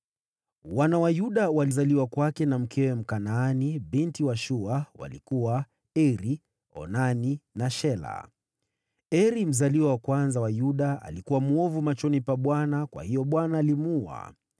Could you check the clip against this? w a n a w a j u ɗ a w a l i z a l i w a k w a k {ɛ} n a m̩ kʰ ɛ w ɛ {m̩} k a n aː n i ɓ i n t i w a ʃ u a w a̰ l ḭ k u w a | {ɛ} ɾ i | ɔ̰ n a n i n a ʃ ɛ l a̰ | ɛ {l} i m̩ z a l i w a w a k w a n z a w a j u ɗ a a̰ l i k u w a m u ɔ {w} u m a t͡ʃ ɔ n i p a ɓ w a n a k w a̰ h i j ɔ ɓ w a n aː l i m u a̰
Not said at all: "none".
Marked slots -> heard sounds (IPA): ɛ, m̩, ɛ, ɾ, v

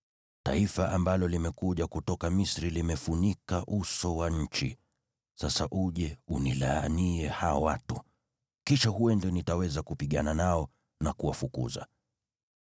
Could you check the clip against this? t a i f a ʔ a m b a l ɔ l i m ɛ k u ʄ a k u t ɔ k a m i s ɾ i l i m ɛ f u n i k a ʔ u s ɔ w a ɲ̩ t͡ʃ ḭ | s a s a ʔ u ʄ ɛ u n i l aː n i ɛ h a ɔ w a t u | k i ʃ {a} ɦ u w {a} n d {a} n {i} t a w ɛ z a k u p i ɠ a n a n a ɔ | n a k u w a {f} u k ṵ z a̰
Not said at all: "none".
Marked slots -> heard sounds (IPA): a, ɛ, ɛ, i, f

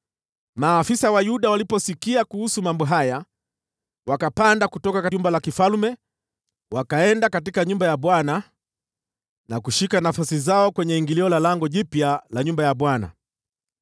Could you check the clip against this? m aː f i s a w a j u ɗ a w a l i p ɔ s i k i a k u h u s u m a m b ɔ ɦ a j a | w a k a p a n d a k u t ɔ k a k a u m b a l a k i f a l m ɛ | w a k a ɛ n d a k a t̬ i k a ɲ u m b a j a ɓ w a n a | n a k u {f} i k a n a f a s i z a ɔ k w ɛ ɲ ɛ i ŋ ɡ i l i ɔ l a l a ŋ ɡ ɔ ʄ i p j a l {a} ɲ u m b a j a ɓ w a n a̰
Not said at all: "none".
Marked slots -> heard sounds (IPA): ʃ, a

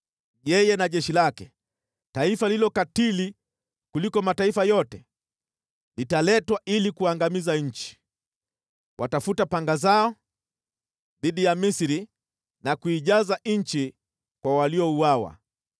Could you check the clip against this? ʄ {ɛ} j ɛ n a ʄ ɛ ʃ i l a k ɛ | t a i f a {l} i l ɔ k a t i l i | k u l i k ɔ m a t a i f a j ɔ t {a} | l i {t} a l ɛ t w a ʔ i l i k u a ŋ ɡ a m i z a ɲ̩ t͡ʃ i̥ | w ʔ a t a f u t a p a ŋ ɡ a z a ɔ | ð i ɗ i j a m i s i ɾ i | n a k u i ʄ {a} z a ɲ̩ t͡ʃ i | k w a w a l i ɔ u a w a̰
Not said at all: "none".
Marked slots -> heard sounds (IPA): ɛ, l, ɛ, t, a

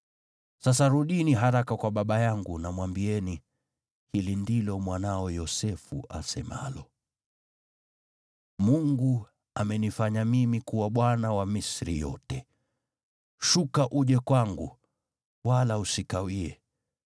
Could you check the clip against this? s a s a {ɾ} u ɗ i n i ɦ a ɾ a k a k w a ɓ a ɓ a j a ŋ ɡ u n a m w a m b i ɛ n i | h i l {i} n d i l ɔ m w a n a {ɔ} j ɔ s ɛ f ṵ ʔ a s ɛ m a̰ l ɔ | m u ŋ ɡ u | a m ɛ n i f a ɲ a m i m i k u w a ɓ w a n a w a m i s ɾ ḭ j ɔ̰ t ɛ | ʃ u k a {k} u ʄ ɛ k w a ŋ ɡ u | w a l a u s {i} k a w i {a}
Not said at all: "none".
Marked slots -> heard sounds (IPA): ɾ, i, ɔ, ʔ, i, ɛ

